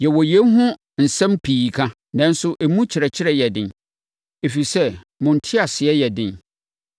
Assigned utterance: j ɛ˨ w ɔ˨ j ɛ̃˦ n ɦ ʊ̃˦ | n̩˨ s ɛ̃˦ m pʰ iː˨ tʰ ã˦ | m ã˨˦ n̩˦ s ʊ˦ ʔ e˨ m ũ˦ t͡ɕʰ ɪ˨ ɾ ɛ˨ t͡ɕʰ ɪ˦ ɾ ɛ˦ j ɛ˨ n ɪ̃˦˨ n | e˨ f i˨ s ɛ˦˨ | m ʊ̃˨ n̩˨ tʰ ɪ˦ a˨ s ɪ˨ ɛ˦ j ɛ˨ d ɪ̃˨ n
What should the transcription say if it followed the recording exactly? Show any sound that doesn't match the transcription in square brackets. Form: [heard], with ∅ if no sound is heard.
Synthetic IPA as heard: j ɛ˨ w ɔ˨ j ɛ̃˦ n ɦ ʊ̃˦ | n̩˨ s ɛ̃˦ m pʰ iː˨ [kʰ] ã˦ | [n] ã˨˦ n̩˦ s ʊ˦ ʔ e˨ m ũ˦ t͡ɕʰ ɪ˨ ɾ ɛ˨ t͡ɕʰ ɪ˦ ɾ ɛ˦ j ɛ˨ [d] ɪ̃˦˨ n | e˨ f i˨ s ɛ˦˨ | m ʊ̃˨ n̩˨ tʰ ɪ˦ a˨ s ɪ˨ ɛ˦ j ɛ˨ d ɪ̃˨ n